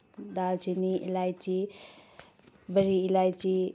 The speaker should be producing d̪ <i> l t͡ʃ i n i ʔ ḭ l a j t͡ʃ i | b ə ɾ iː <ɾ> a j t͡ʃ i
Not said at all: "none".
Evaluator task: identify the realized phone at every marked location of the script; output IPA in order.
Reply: a, l

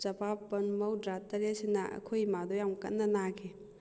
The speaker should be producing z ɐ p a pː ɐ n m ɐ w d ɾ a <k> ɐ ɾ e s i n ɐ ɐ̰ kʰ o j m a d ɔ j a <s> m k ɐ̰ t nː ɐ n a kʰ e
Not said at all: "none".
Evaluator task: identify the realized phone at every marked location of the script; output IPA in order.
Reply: t, none

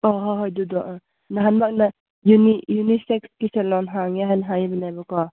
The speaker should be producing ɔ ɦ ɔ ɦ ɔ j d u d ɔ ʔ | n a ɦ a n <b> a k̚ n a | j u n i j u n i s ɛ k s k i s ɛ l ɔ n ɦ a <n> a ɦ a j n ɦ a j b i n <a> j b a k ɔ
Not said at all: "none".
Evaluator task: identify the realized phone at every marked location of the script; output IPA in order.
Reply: b, ŋ, a

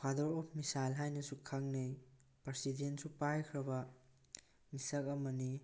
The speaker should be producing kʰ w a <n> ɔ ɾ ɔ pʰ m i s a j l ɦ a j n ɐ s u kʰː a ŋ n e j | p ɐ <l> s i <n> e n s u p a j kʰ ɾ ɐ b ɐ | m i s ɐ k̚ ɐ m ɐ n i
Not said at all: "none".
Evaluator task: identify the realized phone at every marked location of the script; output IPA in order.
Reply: d, ɾ, d

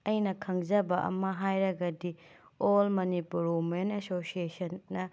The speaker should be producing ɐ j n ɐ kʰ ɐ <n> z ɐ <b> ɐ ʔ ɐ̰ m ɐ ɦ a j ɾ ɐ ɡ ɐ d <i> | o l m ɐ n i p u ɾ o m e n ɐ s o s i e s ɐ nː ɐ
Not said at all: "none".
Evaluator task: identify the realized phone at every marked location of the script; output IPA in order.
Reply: ŋ, b, i

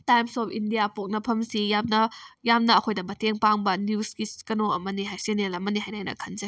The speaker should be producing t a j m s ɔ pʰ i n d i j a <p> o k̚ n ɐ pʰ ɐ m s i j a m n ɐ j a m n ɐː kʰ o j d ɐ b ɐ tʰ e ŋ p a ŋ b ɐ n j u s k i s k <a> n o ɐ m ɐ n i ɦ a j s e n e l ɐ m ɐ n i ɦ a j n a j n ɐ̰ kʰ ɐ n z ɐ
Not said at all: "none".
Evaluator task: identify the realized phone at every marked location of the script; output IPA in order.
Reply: p, ɐ

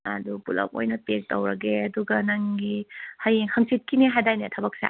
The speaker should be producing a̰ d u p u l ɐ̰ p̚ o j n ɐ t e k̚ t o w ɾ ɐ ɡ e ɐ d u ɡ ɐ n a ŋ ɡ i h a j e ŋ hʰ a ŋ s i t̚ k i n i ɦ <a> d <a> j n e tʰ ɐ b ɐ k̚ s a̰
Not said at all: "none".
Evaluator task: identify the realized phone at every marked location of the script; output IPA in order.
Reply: a, a

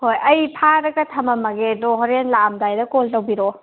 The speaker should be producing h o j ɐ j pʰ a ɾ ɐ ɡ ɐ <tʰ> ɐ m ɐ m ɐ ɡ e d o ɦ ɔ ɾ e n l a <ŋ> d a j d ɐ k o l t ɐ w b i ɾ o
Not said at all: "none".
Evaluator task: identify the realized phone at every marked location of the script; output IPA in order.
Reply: tʰ, m

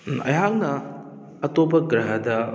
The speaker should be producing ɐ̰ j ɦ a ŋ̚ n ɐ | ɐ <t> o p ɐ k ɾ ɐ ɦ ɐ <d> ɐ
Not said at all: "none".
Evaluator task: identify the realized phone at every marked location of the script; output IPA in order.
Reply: t, d

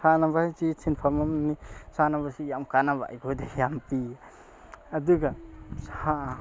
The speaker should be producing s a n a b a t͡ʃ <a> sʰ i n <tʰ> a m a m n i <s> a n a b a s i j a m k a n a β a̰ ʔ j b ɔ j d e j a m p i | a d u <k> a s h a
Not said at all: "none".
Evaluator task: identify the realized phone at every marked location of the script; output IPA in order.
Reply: i, pʰ, s, ɡ

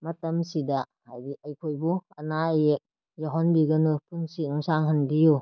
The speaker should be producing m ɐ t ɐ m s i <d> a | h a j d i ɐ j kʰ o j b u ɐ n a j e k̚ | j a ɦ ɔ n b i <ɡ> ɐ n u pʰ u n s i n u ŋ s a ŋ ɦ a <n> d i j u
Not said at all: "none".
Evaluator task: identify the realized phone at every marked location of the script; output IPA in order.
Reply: d, ɡ, n

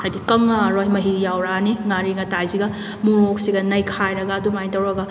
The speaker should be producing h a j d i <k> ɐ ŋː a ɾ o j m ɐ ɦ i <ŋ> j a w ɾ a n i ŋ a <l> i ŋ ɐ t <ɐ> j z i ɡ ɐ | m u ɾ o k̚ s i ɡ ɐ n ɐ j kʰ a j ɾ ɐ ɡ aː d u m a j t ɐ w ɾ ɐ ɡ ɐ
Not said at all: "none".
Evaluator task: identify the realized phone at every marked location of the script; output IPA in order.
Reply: k, none, ɾ, a

